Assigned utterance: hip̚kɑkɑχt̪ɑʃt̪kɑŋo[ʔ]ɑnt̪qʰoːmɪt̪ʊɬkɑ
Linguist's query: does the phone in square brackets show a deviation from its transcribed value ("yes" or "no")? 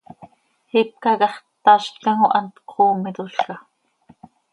no